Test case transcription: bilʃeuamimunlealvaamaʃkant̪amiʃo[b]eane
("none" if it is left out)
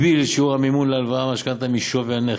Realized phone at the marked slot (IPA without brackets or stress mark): v